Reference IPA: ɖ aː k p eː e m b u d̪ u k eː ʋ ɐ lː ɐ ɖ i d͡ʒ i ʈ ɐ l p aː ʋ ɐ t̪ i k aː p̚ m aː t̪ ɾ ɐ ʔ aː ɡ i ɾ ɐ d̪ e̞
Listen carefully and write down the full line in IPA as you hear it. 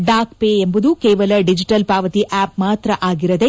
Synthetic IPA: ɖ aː k p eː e m b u d̪ u k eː ʋ ɐ l ɐ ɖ i d͡ʒ i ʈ ɐ l p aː ʋ ɐ t̪ i ʔ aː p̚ m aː t̪ ɾ ɐ ʔ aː ɡ i ɾ ɐ d̪ e̞

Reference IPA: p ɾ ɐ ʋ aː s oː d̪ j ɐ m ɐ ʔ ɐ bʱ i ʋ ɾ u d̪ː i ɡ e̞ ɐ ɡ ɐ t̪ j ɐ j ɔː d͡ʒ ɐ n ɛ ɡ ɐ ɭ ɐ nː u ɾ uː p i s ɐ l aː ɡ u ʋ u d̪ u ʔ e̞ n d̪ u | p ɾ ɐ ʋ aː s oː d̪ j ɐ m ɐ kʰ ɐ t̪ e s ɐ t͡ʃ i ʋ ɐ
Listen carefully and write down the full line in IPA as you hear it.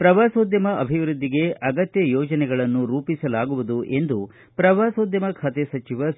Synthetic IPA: p ɾ ɐ ʋ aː s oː d̪ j ɐ m ɐ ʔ ɐ bʱ i ʋ ɾ u d̪ː i ɡ e̞ ɐ ɡ ɐ t̪ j ɐ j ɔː d͡ʒ ɐ n ɛ ɡ ɐ ɭ ɐ nː u ɾ uː p i s ɐ l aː ɡ u ʋ u d̪ u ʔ e̞ n d̪ u | p ɾ ɐ ʋ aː s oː d̪ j ɐ m ɐ kʰ ɐ t̪ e s ɐ t͡ʃ i ʋ ɐ

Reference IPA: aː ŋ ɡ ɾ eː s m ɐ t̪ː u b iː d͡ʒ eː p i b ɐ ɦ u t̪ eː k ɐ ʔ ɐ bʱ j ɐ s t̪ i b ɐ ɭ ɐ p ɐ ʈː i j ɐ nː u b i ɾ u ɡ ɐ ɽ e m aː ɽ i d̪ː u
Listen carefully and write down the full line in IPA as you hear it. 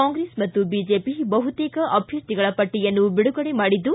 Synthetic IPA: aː ŋ ɡ ɾ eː s m ɐ t̪ː u b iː d͡ʒ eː p i b ɐ ɦ u t̪ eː k ɐ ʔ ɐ bʱ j ɐ s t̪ i ɡ ɐ ɭ ɐ p ɐ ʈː i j ɐ nː u b i ɽ u ɡ ɐ ɽ e m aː ɽ i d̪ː u

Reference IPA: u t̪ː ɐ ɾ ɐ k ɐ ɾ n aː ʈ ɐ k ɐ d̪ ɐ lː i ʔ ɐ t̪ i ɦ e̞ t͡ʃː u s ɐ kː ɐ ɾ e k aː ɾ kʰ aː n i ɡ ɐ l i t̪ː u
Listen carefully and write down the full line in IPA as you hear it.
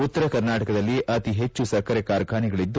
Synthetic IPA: u t̪ː ɐ ɾ ɐ k ɐ ɾ n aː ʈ ɐ k ɐ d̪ ɐ lː i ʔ ɐ t̪ i ɦ e̞ t͡ʃː u s ɐ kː ɐ ɾ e k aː ɾ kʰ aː n i ɡ ɐ ɭ i d̪ː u

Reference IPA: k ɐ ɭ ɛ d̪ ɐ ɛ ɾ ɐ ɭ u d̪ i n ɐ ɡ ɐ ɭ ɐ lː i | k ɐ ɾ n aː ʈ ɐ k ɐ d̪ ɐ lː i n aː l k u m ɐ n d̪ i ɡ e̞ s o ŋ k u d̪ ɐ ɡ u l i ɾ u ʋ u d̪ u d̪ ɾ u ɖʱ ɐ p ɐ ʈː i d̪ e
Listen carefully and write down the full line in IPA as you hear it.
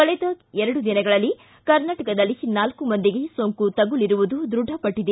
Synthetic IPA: k ɐ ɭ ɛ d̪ ɐ ɛ ɾ ɐ ɽ u d̪ i n ɐ ɡ ɐ ɭ ɐ lː i | k ɐ ɾ n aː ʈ ɐ k ɐ d̪ ɐ lː i n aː l k u m ɐ n d̪ i ɡ e̞ s o ŋ k u t̪ ɐ ɡ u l i ɾ u ʋ u d̪ u d̪ ɾ u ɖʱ ɐ p ɐ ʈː i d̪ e

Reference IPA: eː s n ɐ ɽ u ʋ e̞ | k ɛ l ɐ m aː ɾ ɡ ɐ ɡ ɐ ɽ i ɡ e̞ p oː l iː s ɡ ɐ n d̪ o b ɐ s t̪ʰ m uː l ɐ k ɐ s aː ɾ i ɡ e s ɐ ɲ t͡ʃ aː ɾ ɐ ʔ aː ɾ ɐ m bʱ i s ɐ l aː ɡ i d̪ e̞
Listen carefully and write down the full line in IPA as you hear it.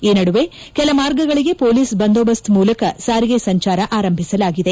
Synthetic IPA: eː n ɐ ɽ u ʋ e̞ | k ɛ l ɐ m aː ɾ ɡ ɐ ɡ ɐ ɭ i ɡ e̞ p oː l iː s b ɐ n d̪ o b ɐ s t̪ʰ m uː l ɐ k ɐ s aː ɾ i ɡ e s ɐ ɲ t͡ʃ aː ɾ ɐ ʔ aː ɾ ɐ m bʱ i s ɐ l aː ɡ i d̪ e̞

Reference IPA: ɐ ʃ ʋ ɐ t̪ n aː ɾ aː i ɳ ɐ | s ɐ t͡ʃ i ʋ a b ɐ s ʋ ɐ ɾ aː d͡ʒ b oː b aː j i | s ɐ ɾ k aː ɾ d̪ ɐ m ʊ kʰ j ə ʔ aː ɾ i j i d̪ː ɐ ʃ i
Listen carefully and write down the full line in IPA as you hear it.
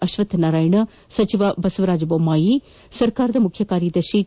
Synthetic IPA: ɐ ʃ ʋ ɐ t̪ n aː ɾ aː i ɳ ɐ | s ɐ t͡ʃ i ʋ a b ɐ s ʋ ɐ ɾ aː d͡ʒ b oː m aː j i | s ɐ ɾ k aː ɾ d̪ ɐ m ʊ kʰ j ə k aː ɾ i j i d̪ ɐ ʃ i

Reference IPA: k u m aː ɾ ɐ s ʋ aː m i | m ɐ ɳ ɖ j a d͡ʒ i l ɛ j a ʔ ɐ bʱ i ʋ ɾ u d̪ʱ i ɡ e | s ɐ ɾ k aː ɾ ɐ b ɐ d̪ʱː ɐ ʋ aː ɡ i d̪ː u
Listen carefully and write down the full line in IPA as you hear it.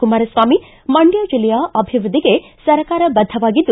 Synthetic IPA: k u m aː ɾ ɐ s ʋ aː m i | m ɐ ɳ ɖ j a d͡ʒ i l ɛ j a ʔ ɐ bʱ i ʋ ɾ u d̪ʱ i ɡ e | s ɐ ɾ k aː ɾ ɐ b ɐ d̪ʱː ɐ ʋ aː ɡ i d̪ː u

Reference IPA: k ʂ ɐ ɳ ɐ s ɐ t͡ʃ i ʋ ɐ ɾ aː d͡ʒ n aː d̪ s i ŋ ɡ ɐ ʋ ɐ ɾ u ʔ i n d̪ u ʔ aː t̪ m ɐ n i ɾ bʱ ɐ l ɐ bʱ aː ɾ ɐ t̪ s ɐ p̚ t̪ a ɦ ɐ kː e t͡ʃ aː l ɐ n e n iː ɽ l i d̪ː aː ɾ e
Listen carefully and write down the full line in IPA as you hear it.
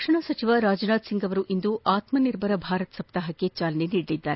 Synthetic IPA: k ʂ ɐ ɳ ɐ s ɐ t͡ʃ i ʋ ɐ ɾ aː d͡ʒ n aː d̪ s i ŋ ɡ ɐ ʋ ɐ ɾ u ʔ i n d̪ u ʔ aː t̪ m ɐ n i ɾ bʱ ɐ ɾ ɐ bʱ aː ɾ ɐ t̪ s ɐ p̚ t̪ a ɦ ɐ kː e t͡ʃ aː l ɐ n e n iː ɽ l i d̪ː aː ɾ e

